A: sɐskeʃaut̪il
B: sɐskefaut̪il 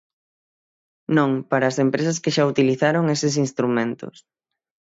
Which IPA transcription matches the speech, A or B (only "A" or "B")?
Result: A